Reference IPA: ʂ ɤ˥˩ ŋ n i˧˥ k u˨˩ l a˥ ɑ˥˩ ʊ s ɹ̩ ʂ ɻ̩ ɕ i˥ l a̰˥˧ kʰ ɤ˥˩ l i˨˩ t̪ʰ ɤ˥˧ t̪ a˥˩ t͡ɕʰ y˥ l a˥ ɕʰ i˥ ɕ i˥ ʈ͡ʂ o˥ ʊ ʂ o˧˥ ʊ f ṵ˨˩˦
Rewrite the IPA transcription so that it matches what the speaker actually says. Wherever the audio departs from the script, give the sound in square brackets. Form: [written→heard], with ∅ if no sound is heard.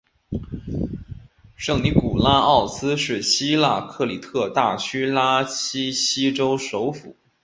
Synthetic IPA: ʂ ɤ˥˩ ŋ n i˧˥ k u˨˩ l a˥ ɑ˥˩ ʊ s ɹ̩ ʂ ɻ̩ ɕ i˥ l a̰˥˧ kʰ ɤ˥˩ l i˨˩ t̪ʰ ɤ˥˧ t̪ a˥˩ t͡ɕʰ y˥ l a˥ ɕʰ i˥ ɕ i˥ ʈ͡ʂ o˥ ʊ ʂ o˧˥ ʊ f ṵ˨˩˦